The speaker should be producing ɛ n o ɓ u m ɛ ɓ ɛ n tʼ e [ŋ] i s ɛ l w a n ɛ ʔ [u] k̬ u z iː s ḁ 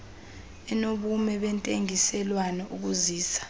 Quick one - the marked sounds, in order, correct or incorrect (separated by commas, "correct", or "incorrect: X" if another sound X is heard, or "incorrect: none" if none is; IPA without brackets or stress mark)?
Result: correct, correct